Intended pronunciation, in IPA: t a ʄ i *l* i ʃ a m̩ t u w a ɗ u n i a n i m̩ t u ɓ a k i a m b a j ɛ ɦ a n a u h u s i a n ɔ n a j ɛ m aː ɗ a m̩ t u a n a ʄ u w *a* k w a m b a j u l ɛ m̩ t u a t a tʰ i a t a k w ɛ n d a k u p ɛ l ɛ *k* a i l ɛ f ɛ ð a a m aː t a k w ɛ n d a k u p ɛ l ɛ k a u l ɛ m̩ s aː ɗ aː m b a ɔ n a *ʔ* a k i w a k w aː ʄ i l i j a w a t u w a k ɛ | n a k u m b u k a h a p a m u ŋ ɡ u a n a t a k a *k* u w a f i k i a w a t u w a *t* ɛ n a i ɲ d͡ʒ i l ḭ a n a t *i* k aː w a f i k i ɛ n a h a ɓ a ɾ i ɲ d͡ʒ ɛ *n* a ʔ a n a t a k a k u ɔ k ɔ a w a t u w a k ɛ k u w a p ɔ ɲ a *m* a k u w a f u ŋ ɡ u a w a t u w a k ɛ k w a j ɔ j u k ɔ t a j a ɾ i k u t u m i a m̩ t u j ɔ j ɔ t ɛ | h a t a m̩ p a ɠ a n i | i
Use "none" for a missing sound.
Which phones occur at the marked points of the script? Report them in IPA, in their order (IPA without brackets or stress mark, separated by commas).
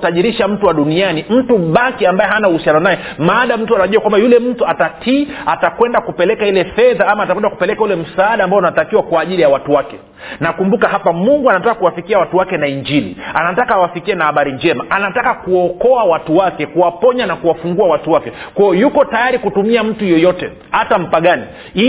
ɾ, a, k, t, k, k, a, m, n